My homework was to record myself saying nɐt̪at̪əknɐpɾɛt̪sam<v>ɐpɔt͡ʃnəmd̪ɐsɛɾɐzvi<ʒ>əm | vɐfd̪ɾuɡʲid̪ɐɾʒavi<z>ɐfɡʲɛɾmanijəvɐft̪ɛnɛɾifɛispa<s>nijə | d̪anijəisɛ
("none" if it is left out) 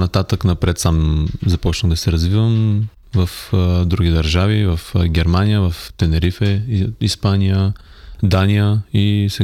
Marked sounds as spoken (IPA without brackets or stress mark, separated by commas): z, v, v, none